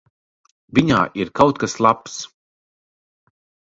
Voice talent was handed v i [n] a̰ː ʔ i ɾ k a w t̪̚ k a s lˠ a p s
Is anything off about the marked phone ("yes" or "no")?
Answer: yes